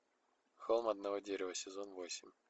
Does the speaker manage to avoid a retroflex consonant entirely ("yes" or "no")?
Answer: yes